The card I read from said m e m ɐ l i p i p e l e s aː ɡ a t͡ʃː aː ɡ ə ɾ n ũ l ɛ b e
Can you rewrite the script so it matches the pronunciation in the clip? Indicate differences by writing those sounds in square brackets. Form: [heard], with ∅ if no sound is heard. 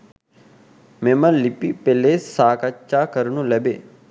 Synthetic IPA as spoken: m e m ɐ l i p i p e l e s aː [k] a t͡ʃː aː [k] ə ɾ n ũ l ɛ b e